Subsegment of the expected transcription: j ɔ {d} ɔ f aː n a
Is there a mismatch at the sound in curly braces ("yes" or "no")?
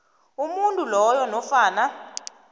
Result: yes